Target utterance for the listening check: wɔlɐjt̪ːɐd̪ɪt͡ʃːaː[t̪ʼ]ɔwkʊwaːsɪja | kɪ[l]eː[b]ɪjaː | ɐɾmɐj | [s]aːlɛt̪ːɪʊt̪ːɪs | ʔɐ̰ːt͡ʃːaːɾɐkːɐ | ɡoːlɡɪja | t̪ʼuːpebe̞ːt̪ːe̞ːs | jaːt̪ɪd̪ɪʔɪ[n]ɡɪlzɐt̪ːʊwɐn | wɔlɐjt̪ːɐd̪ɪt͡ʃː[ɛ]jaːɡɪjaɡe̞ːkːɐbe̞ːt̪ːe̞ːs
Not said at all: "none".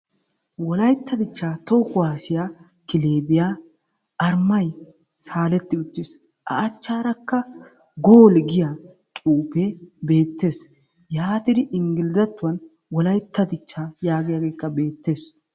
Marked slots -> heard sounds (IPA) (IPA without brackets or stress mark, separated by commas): t̪, l, b, s, ŋ, a